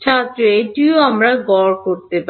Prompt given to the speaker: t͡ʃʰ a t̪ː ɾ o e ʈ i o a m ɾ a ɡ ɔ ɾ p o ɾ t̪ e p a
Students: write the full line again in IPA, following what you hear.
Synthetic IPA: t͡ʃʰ a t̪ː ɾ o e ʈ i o a m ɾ a ɡ ɔ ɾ k o ɾ t̪ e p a